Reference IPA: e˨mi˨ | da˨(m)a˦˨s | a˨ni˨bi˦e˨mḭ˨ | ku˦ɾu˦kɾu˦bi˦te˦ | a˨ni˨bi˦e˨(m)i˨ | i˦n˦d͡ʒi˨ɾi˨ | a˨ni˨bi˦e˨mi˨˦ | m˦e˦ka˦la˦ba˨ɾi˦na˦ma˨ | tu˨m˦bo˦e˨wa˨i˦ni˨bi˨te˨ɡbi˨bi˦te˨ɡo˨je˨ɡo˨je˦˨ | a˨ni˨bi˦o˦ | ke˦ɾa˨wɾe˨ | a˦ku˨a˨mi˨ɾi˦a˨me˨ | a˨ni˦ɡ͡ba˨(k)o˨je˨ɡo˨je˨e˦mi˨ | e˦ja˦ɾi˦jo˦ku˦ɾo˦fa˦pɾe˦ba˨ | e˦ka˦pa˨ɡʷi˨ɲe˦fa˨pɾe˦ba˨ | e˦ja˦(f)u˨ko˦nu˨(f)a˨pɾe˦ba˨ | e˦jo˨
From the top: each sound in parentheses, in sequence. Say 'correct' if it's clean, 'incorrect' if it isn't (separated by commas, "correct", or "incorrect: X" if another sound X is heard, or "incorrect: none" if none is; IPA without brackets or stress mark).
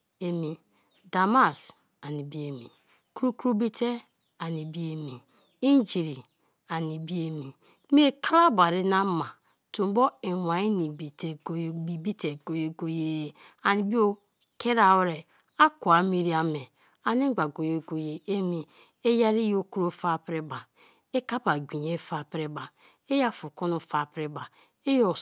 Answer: correct, correct, incorrect: ɡ, correct, correct